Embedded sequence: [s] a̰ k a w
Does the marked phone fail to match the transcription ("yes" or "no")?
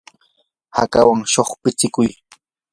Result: yes